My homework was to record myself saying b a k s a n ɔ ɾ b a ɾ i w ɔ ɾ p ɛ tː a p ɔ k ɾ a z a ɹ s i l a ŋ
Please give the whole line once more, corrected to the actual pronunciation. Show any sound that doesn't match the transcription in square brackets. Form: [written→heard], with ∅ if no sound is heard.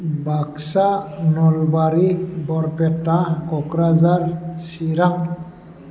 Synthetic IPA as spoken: b a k s a n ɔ [ɾ→l] b a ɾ i [w→b] ɔ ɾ p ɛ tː a [p→k] ɔ k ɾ a z a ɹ s i [l→ɾ] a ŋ

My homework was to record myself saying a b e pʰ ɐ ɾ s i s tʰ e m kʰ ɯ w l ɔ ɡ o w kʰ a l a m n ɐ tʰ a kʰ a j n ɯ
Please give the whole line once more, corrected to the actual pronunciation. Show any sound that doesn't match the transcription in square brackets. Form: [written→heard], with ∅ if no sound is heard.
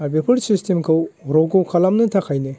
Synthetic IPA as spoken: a b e pʰ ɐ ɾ s i s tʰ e m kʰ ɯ w [l→ɾ] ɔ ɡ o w kʰ a l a m n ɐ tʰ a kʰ a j n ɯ

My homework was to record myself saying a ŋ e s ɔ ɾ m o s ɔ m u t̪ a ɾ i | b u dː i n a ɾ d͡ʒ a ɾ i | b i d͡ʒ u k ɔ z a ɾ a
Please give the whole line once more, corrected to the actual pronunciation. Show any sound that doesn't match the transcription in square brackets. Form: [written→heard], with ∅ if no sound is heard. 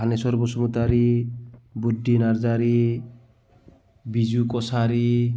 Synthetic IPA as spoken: a [ŋ→n] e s ɔ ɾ [m→b] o s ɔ m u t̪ a ɾ i | b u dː i n a ɾ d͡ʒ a ɾ i | b i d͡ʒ u k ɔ [z→s] a ɾ [a→i]

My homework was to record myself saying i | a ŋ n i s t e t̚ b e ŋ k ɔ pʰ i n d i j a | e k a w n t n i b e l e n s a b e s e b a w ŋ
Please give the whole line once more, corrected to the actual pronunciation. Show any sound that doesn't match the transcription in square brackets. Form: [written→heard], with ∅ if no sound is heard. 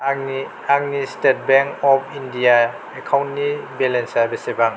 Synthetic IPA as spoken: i | a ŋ n i s t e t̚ b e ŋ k ɔ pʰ i n d i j a | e [k→kʰ] a w n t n i b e l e n s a b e s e b a [w→∅] ŋ

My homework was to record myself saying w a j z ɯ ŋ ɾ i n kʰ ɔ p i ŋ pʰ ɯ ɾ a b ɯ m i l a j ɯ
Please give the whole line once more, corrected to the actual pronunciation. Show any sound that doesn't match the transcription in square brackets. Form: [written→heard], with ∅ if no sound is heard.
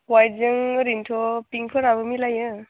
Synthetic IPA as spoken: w a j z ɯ ŋ ɾ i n [kʰ→tʰ] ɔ p i ŋ pʰ ɯ ɾ a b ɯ m i l a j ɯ

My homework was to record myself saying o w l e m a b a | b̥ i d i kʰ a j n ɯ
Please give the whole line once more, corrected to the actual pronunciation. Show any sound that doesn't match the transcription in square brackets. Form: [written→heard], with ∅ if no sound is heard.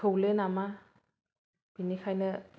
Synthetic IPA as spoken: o w l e [m→n] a [b→m] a | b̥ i [d→n] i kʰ a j n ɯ

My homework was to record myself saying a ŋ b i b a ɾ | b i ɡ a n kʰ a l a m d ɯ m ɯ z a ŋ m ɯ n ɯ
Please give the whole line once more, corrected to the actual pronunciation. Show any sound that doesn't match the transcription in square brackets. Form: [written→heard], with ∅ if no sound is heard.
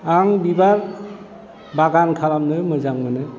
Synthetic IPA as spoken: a ŋ b i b a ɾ | b [i→a] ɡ a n kʰ a l a m [d→n] ɯ m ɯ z a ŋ m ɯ n ɯ

